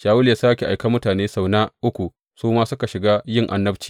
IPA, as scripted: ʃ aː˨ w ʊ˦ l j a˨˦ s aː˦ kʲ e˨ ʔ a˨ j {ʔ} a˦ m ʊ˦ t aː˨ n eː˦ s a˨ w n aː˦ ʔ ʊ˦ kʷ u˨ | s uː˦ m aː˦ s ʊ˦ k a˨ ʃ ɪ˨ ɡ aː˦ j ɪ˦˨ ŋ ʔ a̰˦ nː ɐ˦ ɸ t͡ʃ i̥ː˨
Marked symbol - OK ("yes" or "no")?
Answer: no